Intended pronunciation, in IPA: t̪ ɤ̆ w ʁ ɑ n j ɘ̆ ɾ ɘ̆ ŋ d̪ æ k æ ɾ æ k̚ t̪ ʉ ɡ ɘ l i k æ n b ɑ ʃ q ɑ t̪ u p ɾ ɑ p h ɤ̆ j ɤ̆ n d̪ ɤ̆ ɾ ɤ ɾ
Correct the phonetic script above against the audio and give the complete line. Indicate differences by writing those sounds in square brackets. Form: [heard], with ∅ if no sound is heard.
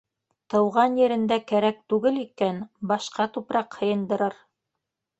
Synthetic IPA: t̪ ɤ̆ w ʁ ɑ n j ɘ̆ ɾ ɘ̆ [n] d̪ æ k æ ɾ æ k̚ t̪ ʉ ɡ ɘ l i k æ n b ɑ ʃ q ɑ t̪ u p ɾ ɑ [q] h ɤ̆ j ɤ̆ n d̪ ɤ̆ ɾ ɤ ɾ